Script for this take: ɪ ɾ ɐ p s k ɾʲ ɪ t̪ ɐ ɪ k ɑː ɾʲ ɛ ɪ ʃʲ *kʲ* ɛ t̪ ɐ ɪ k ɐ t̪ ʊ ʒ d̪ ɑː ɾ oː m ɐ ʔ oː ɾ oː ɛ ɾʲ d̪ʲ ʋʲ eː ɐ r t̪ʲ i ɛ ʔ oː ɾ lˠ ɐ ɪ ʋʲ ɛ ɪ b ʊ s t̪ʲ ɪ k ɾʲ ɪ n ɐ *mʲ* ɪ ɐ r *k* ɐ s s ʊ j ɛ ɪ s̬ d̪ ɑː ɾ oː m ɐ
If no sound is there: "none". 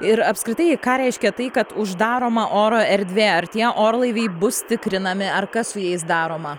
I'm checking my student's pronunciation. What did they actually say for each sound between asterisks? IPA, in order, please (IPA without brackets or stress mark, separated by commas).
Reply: kʲ, mʲ, k